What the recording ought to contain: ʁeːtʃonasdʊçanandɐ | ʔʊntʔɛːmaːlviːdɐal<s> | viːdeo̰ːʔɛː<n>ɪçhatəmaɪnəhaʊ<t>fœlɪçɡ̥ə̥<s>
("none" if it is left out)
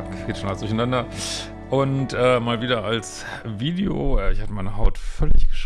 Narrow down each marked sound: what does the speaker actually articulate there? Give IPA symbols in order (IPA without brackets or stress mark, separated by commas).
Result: s, none, t, ʃ